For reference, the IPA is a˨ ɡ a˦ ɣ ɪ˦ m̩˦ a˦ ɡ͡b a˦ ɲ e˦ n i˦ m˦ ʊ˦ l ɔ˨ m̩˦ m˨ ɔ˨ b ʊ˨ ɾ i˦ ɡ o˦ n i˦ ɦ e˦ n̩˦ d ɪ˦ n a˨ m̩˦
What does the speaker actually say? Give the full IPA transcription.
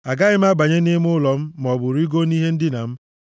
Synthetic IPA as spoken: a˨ ɡ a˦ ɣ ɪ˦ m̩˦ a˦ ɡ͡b a˨ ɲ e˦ n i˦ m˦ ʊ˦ l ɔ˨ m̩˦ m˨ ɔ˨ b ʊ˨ ɾ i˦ ɡ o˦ n i˦ ɦ e˦ n̩˦ d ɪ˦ n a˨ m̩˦